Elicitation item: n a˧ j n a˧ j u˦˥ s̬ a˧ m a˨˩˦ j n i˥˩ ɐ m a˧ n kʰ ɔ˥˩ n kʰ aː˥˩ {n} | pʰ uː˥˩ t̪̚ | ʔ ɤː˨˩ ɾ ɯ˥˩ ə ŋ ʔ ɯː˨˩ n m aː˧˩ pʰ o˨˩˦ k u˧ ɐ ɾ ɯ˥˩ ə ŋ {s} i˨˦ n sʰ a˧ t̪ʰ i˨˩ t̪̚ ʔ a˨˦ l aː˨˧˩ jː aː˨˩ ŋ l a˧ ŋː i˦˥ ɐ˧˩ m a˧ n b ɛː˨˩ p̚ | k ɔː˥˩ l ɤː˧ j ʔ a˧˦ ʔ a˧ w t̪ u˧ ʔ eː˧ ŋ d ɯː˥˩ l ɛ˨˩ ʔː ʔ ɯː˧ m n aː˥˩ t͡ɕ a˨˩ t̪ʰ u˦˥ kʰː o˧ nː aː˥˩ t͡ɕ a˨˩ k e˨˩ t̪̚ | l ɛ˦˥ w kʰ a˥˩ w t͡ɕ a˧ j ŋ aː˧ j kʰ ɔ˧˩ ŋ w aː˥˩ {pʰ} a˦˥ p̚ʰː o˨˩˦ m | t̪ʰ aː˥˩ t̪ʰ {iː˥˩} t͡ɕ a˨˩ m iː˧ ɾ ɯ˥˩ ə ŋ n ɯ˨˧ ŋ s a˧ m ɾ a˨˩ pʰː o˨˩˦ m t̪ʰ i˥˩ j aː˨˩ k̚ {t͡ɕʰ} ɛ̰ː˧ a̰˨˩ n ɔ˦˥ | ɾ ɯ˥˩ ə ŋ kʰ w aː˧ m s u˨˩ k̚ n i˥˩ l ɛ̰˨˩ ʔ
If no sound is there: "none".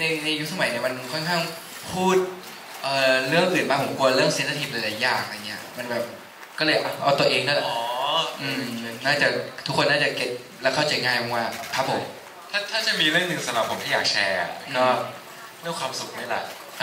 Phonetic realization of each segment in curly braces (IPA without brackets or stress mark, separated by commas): ŋ, s, kʰ, aː˥˩, t͡ɕʰ